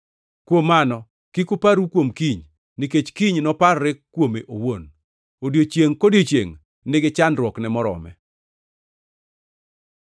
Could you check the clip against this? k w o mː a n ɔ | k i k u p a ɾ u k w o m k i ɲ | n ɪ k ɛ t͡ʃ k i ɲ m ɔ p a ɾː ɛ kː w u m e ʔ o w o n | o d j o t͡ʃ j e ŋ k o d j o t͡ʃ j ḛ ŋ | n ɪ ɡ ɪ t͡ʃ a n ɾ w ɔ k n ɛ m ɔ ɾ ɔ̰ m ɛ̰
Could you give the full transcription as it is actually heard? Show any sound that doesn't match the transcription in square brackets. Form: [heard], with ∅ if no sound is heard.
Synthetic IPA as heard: k w o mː a n ɔ | k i k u p a ɾ u k w o m k i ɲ | n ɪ k [e] t͡ʃ k i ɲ [n] ɔ p a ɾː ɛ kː w [o] m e ʔ o w o n | o d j o t͡ʃ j e ŋ k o d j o t͡ʃ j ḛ ŋ | n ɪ ɡ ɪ t͡ʃ a n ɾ w ɔ k n ɛ m ɔ ɾ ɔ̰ m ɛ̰